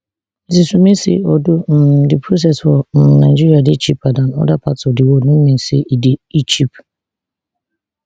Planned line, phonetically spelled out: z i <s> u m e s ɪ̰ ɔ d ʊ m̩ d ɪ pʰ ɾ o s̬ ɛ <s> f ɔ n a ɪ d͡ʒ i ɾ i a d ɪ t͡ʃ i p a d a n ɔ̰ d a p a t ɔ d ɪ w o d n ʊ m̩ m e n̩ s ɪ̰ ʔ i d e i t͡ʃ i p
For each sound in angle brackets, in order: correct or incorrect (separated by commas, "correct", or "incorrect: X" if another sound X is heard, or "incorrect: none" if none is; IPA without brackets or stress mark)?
correct, correct